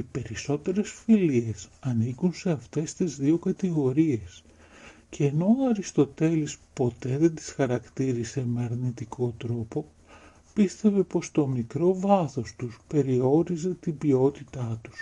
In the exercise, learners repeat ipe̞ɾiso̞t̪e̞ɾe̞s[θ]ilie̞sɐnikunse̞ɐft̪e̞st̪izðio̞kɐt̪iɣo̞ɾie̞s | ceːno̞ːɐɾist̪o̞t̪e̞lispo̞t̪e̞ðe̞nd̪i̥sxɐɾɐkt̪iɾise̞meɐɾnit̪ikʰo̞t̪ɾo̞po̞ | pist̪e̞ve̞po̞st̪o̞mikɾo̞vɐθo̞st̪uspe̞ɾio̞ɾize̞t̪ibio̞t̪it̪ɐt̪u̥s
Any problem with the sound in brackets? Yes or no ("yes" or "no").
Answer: yes